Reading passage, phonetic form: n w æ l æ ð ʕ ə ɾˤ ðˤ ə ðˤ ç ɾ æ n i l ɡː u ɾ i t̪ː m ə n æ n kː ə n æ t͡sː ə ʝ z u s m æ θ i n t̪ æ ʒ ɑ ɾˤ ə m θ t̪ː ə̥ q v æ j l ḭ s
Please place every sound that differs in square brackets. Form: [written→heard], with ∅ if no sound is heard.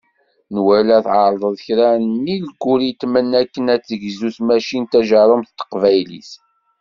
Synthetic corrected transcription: n w æ l æ [ð→θ] ʕ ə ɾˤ ðˤ ə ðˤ ç ɾ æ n i l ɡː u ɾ i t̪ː m ə n æ [n→∅] kː ə n æ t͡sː ə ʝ z u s m æ [θ→ʃ] i n t̪ æ ʒ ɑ ɾˤ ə m θ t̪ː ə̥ q v æ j l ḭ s